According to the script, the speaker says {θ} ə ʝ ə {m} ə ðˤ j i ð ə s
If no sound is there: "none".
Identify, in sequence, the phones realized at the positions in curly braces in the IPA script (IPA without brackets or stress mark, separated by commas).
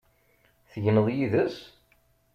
θ, n